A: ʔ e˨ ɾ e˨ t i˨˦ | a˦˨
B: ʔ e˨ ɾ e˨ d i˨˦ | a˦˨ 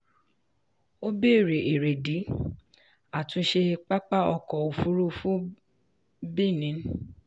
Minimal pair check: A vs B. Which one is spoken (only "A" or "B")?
B